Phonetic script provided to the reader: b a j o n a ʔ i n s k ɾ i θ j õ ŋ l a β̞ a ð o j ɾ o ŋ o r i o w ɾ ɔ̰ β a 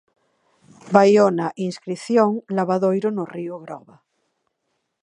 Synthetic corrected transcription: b a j o n a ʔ i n s k ɾ i θ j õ ŋ l a β̞ a ð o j ɾ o n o r i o ɣ ɾ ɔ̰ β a